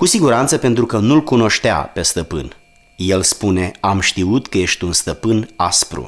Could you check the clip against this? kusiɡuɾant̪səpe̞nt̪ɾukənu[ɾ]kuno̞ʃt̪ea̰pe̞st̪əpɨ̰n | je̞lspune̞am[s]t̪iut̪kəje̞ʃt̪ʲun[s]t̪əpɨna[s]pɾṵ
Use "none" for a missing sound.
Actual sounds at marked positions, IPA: l, ʃ, s, s

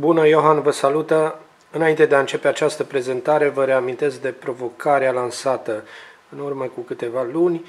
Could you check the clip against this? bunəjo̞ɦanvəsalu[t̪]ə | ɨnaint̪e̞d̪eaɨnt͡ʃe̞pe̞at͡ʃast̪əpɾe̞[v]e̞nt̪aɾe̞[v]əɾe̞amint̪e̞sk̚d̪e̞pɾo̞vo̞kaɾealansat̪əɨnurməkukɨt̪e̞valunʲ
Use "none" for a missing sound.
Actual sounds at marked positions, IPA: t̪, z, v

